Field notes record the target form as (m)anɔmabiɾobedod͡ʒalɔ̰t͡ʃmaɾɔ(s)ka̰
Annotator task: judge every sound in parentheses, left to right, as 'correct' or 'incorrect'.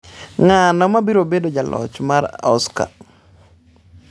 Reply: incorrect: ŋ, correct

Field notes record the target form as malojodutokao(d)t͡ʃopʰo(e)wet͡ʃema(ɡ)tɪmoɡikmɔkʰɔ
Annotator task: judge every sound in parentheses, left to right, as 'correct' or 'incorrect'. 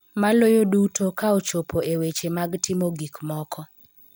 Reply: incorrect: none, correct, correct

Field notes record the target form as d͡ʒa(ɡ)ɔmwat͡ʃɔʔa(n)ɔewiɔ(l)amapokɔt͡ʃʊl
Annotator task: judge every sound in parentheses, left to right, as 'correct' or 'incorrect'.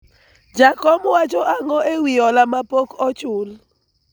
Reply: incorrect: k, incorrect: ŋ, correct

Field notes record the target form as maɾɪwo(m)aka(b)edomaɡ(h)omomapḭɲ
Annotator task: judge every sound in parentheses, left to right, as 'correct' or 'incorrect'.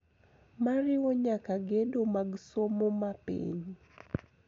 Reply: incorrect: ɲ, incorrect: ɡ, incorrect: s

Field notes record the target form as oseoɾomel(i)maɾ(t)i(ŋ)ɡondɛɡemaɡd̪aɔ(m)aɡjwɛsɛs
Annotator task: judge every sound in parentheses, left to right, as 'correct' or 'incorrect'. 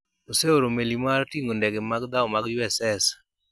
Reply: correct, correct, correct, correct

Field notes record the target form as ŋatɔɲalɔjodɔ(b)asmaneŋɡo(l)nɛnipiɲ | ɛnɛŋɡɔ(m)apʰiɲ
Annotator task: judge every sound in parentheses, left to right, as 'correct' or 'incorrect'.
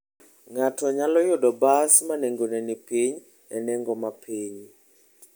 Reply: correct, incorrect: none, correct

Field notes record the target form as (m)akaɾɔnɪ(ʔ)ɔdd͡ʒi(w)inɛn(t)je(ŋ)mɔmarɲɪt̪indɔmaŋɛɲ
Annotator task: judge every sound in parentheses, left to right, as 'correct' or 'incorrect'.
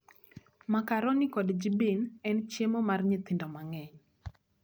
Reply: correct, incorrect: k, incorrect: b, incorrect: t͡ʃ, incorrect: none

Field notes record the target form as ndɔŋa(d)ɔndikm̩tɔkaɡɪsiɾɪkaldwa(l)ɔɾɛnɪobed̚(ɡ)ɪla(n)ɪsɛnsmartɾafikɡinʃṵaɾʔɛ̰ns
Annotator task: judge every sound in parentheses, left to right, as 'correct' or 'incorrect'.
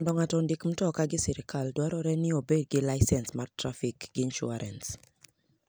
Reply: incorrect: t, incorrect: ɾ, correct, incorrect: none

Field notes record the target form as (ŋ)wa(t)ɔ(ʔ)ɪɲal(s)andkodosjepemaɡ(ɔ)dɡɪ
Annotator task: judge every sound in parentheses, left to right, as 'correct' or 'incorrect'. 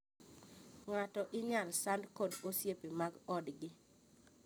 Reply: correct, correct, correct, correct, correct

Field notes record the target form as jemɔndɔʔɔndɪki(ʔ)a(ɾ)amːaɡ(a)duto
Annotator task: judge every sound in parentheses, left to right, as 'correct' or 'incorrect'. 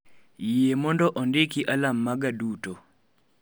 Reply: correct, incorrect: l, correct

